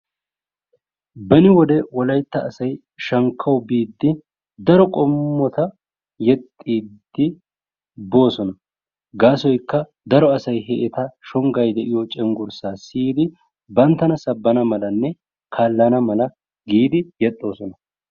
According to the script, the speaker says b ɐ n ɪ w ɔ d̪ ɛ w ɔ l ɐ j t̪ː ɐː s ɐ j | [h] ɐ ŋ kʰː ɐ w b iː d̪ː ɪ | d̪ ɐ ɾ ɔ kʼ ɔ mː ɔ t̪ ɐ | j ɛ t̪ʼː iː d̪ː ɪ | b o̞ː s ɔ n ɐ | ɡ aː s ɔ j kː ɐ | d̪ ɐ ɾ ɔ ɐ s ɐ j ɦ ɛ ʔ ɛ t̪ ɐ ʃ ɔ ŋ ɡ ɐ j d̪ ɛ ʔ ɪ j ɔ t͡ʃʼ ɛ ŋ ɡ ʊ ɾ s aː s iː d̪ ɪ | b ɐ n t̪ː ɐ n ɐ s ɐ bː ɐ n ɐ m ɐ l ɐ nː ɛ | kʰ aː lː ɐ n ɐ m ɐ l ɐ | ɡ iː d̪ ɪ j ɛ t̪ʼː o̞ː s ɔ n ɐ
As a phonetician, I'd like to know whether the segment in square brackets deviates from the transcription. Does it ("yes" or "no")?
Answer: yes